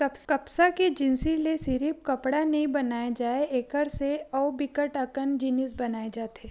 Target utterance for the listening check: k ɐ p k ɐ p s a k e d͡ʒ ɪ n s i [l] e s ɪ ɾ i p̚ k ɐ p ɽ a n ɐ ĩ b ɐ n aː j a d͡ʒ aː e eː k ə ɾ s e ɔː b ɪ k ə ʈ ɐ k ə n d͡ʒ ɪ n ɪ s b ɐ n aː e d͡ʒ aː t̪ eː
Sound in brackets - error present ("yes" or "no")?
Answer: no